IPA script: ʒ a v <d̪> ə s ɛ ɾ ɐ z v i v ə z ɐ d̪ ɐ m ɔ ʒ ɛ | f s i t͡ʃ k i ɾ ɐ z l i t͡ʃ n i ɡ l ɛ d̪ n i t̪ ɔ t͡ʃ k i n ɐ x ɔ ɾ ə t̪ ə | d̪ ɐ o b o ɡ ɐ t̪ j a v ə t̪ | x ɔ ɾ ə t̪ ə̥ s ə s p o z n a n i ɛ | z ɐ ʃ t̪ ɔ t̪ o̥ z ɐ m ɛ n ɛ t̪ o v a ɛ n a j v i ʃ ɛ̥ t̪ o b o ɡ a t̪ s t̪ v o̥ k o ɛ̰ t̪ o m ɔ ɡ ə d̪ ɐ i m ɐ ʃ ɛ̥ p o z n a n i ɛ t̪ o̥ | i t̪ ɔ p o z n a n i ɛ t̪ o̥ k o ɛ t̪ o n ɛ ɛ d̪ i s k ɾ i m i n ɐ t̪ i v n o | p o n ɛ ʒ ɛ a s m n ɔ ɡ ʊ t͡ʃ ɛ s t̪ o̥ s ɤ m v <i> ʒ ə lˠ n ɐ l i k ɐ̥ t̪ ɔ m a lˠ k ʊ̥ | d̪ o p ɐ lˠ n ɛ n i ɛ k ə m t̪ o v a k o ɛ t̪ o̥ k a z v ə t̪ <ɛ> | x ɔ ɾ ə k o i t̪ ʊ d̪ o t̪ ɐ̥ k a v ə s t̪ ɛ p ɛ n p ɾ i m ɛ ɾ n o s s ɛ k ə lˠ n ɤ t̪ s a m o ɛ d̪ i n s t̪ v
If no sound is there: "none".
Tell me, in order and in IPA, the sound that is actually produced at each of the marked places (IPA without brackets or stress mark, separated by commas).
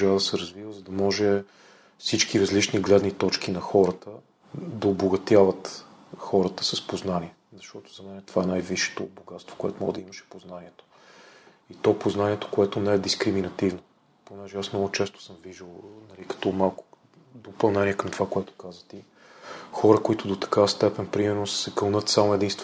d̪, i, i